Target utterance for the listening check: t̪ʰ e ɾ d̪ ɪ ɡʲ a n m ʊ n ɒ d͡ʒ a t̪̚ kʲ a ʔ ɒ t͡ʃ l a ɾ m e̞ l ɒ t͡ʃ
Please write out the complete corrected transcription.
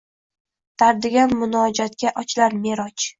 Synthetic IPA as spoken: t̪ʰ a ɾ d̪ ɪ ɡʲ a n m ʊ n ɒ d͡ʒ a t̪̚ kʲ a ʔ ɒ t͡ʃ l a ɾ m e̞ ɾ ɒ t͡ʃ